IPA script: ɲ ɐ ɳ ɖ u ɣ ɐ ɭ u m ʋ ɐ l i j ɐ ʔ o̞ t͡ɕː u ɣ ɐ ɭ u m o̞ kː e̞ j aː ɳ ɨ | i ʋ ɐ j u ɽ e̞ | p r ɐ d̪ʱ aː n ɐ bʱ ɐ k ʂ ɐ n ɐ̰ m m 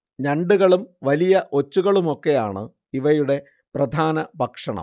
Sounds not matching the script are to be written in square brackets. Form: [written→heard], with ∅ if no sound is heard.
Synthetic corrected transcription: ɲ ɐ ɳ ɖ u ɣ ɐ ɭ u m ʋ ɐ l i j ɐ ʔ o̞ t͡ɕː u ɣ ɐ ɭ u m o̞ kː e̞ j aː ɳ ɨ | i ʋ ɐ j u ɽ e̞ | p r ɐ d̪ʱ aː n ɐ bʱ ɐ k ʂ ɐ [n→ɳ] ɐ̰ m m